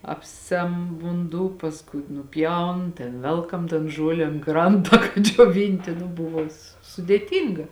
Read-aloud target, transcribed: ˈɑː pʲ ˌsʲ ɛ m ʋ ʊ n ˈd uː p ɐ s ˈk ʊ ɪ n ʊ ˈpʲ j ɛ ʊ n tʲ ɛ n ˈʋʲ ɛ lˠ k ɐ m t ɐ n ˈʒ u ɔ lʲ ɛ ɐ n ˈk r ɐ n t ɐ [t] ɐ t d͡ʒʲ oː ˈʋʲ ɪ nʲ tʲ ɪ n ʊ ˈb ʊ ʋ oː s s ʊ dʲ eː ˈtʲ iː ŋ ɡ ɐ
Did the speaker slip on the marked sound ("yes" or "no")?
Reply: yes